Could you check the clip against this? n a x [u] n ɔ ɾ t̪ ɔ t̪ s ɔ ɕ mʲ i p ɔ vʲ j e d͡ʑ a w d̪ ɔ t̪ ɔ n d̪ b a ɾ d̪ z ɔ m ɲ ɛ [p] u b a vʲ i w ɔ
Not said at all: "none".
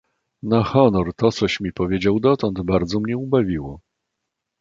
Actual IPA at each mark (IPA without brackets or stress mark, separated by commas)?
ɔ, none